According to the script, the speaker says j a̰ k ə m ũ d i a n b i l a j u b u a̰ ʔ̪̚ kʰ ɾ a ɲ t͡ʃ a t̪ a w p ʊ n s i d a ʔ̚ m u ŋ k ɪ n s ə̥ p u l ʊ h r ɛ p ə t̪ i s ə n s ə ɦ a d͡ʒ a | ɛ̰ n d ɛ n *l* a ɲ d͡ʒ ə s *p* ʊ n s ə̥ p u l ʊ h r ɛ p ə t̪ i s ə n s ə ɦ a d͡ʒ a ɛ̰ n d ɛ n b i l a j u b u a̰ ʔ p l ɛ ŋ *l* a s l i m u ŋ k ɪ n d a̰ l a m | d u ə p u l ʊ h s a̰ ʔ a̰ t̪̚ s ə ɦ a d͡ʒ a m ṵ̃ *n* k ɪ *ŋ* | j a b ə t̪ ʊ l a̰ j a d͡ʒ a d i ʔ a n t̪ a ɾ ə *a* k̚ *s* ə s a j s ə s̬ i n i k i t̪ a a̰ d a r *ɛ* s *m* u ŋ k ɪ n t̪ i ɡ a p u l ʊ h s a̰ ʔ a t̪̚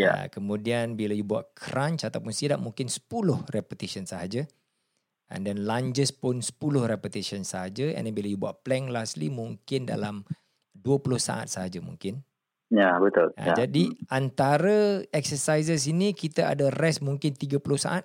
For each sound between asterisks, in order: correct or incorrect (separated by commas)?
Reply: correct, correct, correct, incorrect, incorrect, incorrect, correct, correct, correct